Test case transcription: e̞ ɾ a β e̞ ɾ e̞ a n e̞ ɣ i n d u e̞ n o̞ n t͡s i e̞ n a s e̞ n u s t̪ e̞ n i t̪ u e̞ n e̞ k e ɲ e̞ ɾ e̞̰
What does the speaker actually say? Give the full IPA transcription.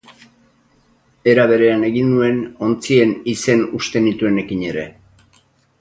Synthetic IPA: e̞ ɾ a β e̞ ɾ e̞ a n e̞ ɣ i n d u e̞ n o̞ n t͡s i e̞ n i s e̞ n u s t̪ e̞ n i t̪ u e̞ n e̞ k i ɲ e̞ ɾ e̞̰

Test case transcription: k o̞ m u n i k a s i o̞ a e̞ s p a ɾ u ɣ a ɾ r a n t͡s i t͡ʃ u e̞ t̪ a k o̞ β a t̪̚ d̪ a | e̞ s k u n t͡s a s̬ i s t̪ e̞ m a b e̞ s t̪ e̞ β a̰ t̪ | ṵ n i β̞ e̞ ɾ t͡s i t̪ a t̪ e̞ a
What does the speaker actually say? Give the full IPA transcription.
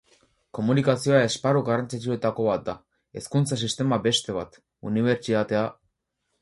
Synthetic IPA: k o̞ m u n i k a s i o̞ a e̞ s p a ɾ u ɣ a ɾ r a n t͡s i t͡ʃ u e̞ t̪ a k o̞ β a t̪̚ d̪ a | e̞ s k u n t͡s a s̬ i s t̪ e̞ m a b e̞ s t̪ e̞ β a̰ t̪ | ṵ n i β̞ e̞ ɾ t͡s i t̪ a t̪ e̞ a

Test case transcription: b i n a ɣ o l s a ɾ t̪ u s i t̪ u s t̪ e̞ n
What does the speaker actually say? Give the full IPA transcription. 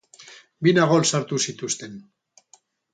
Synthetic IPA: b i n a ɣ o l s a ɾ t̪ u s i t̪ u s t̪ e̞ n

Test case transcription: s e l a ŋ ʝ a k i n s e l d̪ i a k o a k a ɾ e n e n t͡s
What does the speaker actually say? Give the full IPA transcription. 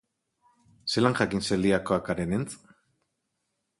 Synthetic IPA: s e l a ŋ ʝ a k i n s e l d̪ i a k o a k a ɾ e n e n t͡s

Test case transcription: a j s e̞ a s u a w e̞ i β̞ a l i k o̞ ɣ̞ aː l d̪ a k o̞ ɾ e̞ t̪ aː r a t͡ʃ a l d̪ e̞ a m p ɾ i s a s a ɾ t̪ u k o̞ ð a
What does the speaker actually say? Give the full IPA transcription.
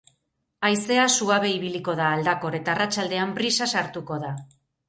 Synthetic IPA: a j s e̞ a s u a β e̞ i β̞ i l i k o̞ ð̞ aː l d̪ a k o̞ ɾ e̞ t̪ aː r a t͡ʃ a l d̪ e̞ a m p ɾ i s a s a ɾ t̪ u k o̞ ð a

